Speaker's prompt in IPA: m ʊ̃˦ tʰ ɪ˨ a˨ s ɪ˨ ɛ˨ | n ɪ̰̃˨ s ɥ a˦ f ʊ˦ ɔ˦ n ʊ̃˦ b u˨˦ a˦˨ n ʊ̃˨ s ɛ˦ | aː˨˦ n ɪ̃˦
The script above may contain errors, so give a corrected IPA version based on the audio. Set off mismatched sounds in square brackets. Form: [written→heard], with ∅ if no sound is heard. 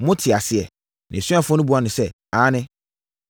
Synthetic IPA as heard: m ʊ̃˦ tʰ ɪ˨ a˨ s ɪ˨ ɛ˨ | n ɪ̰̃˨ s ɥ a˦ f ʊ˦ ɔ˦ n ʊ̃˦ b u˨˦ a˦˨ n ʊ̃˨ s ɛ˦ | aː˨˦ n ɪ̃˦